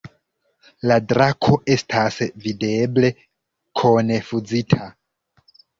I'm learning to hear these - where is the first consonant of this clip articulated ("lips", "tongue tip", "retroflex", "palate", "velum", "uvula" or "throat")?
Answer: tongue tip